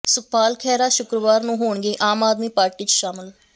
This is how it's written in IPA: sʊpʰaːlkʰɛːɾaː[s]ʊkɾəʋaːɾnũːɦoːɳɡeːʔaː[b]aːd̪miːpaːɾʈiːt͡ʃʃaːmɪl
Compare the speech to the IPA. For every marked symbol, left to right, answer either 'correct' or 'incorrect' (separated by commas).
incorrect, incorrect